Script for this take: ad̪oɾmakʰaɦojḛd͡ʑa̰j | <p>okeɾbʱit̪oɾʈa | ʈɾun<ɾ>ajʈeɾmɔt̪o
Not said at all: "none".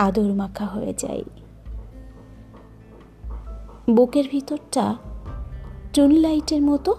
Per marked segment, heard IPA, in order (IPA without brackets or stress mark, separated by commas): b, l